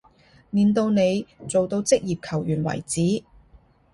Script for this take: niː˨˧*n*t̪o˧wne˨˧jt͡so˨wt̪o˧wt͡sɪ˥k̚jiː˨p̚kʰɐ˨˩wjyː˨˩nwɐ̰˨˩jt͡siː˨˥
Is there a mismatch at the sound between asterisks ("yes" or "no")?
no